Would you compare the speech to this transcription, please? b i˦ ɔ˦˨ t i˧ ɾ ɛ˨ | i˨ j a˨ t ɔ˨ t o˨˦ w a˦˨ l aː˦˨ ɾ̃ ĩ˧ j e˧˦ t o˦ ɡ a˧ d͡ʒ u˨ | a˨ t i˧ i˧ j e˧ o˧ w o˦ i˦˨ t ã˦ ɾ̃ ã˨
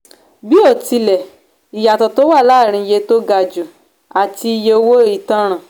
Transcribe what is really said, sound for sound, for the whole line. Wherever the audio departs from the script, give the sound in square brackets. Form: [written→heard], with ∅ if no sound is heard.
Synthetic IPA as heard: b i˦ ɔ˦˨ t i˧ [ɾ→l] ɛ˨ | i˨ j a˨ t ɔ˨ t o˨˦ w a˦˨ l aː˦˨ ɾ̃ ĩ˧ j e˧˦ t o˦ ɡ a˧ d͡ʒ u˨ | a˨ t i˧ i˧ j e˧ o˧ w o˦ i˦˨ t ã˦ ɾ̃ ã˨

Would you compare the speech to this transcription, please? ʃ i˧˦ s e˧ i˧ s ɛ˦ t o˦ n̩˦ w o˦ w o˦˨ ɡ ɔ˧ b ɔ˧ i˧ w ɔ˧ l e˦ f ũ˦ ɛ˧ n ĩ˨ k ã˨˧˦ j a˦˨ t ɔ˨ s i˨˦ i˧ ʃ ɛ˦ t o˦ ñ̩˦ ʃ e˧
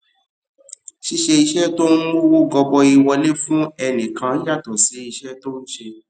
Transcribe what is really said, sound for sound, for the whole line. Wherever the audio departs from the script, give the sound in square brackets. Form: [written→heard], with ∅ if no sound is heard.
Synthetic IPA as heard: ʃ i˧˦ [s→ʃ] e˧ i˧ [s→ʃ] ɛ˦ t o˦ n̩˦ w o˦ w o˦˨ ɡ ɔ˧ b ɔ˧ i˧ w ɔ˧ l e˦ f ũ˦ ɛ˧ n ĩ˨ k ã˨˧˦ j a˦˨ t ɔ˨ s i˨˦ i˧ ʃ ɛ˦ t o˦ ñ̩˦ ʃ e˧

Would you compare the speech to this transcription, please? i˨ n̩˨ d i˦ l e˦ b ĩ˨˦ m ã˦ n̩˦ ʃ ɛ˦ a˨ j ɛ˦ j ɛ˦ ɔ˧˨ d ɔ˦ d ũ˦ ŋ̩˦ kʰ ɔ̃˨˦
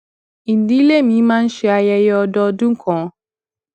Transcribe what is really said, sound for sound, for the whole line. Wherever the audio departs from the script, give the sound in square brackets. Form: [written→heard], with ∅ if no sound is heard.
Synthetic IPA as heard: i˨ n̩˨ d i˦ l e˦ [b→m] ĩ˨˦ m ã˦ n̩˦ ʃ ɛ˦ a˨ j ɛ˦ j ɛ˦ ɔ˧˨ d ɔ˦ d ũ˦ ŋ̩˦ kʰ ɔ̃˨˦

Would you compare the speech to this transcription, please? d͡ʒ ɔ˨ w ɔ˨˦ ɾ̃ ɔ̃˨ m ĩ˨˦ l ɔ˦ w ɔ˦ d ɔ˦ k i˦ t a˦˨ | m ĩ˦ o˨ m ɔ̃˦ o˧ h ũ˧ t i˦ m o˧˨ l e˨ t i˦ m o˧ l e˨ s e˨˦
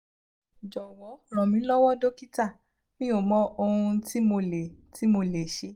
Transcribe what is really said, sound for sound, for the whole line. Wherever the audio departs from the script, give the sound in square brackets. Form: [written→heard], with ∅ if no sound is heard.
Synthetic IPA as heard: d͡ʒ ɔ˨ w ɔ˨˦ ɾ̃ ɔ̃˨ m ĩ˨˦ l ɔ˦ w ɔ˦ d [ɔ˦→o˦] k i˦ t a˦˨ | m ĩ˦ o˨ m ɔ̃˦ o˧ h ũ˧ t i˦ m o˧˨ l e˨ t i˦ m o˧ l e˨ [s→ʃ] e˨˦

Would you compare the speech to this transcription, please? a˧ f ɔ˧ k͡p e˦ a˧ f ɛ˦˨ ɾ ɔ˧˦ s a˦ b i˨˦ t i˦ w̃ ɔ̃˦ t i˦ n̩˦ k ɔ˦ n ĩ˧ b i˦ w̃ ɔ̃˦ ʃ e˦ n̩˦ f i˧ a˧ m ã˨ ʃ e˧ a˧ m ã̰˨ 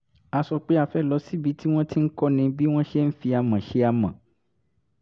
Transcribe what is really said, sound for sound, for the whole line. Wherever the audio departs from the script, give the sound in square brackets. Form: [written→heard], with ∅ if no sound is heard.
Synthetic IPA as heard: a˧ [f→s] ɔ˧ k͡p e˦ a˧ f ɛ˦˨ [ɾ→l] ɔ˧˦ s [a˦→i˦] b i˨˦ t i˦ w̃ ɔ̃˦ t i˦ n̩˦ k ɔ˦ n ĩ˧ b i˦ w̃ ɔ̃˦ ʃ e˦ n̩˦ f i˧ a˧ m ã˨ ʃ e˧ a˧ m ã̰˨

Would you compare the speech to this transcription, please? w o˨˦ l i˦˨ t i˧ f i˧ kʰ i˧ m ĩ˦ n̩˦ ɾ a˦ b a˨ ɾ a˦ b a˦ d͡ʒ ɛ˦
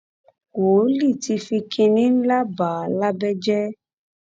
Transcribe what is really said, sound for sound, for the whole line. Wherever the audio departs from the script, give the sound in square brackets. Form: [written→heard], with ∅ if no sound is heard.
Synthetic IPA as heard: w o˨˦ l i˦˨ t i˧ f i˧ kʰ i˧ [m→n] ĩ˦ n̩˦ [ɾ→l] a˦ b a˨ [ɾ→l] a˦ b [a˦→ɛ˦] d͡ʒ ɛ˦

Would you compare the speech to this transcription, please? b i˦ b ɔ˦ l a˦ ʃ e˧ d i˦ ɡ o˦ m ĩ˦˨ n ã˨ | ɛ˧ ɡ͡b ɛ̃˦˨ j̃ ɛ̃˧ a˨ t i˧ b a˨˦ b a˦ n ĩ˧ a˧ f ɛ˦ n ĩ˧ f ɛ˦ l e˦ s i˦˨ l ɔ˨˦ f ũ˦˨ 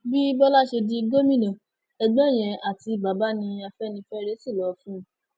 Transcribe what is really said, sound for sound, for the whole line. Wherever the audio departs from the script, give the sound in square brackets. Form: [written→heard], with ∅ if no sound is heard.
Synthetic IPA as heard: b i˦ b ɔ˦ l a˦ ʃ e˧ d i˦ ɡ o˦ m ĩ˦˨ n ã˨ | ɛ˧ ɡ͡b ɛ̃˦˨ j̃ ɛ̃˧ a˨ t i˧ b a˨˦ b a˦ n ĩ˧ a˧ f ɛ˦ n ĩ˧ f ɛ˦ [l→ɾ] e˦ s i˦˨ l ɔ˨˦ f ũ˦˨

